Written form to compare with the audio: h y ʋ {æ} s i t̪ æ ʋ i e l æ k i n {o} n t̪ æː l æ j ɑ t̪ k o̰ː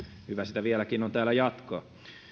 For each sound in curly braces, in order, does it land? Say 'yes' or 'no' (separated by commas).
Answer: yes, yes